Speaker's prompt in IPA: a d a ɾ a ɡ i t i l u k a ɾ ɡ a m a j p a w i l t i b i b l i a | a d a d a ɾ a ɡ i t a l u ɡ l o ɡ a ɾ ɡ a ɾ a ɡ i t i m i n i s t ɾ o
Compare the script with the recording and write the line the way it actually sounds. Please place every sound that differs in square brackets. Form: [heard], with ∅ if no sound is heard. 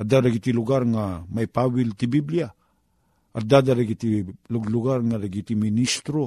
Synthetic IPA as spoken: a d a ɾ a ɡ i t i l u [ɡ] a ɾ [ŋ] a m a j p a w i l t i b i b l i a | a d a d a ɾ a ɡ i t [i] l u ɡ l [u] ɡ a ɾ [ŋ] a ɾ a ɡ i t i m i n i s t ɾ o